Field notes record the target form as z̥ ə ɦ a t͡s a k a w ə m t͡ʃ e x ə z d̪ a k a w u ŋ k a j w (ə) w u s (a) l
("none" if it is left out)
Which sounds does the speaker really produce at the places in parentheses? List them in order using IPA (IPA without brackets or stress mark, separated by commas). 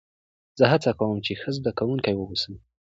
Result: ə, ə